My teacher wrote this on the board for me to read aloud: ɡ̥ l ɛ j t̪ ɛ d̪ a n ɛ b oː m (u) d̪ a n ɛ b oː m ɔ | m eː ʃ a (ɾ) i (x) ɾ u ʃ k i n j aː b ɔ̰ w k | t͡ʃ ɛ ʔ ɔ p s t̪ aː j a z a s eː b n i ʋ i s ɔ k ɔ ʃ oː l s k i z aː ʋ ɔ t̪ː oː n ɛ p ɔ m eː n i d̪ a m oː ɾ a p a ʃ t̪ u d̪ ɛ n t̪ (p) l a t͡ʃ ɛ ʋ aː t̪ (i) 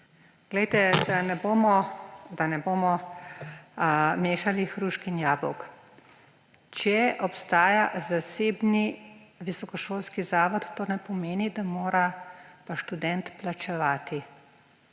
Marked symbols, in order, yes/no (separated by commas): no, no, yes, yes, yes